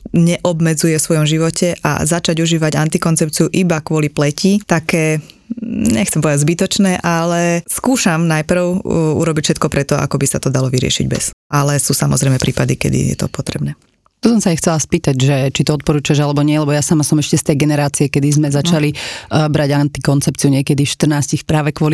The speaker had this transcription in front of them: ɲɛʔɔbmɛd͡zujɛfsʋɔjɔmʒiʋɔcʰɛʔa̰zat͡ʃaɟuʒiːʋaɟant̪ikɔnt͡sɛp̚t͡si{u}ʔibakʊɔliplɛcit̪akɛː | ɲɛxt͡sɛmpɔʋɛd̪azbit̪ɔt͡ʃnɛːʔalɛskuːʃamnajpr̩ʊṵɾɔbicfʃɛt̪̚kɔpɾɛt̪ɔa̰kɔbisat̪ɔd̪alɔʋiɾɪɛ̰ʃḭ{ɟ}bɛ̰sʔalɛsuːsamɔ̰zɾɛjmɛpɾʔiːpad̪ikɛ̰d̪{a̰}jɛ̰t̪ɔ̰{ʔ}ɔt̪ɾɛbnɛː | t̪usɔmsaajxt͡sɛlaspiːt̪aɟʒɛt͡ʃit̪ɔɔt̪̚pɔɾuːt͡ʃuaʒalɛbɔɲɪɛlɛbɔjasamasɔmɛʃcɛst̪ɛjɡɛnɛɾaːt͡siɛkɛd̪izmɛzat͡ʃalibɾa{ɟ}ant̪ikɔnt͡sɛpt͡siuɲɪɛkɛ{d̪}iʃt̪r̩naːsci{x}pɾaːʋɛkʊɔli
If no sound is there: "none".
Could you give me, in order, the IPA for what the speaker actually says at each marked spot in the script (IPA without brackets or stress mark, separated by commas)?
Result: u, ɟ, ḭ, p, ɟ, d̪, x